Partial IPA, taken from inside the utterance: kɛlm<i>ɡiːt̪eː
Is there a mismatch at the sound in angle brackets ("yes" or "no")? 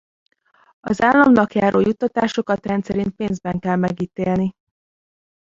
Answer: yes